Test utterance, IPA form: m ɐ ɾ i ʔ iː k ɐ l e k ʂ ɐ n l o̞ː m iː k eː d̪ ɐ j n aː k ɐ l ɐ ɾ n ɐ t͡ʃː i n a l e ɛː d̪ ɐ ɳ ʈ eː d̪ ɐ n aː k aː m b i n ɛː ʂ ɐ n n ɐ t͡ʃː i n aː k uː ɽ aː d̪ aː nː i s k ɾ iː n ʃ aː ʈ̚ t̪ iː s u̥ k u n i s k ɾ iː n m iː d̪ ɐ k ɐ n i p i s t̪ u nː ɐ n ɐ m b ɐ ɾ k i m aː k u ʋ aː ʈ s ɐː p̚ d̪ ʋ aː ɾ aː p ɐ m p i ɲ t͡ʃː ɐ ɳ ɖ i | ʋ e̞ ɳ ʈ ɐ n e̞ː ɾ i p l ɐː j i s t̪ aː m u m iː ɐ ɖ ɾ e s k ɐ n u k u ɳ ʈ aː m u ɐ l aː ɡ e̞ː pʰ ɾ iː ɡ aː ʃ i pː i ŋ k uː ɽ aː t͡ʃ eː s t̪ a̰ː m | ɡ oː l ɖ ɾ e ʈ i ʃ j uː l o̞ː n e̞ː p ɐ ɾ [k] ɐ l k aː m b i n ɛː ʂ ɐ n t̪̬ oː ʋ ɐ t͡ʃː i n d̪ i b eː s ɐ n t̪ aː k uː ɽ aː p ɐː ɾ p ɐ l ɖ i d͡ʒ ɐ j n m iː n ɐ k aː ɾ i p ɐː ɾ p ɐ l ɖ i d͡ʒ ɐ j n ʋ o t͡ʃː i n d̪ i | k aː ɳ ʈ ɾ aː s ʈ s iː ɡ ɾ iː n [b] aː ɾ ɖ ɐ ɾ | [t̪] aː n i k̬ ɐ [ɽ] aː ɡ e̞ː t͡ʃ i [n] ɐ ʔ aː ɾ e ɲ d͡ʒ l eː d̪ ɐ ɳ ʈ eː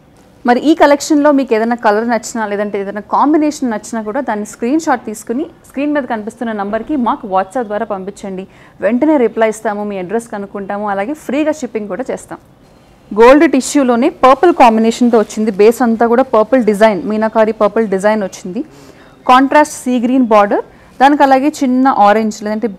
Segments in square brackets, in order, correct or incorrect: incorrect, correct, incorrect, incorrect, incorrect

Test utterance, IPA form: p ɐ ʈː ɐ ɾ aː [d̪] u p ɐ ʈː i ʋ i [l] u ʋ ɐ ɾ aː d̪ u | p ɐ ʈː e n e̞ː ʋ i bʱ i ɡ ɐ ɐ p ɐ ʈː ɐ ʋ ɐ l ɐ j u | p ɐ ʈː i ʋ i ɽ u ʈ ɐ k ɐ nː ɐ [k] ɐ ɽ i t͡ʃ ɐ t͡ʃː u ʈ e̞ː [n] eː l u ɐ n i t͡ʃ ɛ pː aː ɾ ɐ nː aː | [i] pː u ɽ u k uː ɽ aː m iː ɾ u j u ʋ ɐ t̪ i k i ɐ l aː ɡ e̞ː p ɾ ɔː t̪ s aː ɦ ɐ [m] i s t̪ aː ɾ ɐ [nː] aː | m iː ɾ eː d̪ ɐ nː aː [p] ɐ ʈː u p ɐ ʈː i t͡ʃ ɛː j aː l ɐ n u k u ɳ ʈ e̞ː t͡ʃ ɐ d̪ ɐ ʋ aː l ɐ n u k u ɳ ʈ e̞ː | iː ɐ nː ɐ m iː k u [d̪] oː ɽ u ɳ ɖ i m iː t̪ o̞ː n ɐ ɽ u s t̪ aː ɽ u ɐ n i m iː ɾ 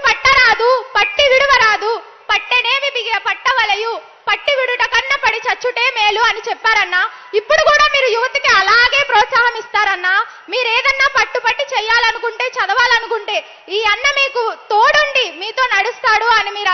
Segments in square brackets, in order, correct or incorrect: correct, incorrect, incorrect, incorrect, correct, correct, correct, correct, incorrect

